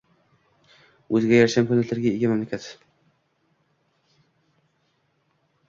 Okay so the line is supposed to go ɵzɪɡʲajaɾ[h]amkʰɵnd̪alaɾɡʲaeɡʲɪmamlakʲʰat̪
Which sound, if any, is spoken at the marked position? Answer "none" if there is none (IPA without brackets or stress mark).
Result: ʃ